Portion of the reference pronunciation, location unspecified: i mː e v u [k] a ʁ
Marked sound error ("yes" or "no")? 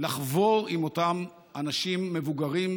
yes